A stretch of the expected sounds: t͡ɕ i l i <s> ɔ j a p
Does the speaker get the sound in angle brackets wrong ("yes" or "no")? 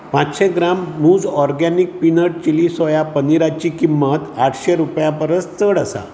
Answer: no